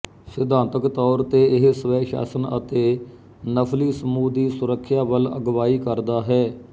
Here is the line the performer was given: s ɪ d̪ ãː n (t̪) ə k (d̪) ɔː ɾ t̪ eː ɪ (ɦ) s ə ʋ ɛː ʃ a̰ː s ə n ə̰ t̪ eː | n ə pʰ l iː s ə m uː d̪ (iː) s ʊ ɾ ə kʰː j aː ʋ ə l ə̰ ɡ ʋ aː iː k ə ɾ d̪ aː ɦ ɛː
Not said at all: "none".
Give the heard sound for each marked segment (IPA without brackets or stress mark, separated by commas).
t̪, t̪, ɦ, iː